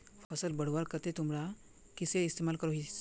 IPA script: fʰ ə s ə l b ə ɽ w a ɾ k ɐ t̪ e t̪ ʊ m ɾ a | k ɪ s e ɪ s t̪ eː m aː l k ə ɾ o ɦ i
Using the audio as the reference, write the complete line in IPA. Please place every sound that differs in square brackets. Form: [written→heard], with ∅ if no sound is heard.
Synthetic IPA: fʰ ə s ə l b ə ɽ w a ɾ k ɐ t̪ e t̪ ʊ m ɾ a | k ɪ s e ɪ s t̪ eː m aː l k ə ɾ o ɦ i